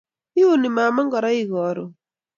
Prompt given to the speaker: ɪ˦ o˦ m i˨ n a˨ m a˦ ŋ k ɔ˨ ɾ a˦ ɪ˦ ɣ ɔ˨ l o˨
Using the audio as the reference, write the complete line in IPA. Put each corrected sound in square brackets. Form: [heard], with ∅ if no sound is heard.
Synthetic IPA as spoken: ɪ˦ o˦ [n] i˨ [m] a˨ m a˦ ŋ [ɡ] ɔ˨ ɾ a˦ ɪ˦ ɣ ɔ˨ [ɾ] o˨